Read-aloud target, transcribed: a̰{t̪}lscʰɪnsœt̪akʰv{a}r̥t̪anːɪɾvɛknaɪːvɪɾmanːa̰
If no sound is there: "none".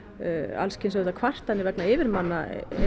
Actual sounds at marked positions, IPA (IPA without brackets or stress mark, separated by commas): none, a